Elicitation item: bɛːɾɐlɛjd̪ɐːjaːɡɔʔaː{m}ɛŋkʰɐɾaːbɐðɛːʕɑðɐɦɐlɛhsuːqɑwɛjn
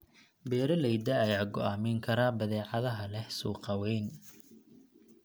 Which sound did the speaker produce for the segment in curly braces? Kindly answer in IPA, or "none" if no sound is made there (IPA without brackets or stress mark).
m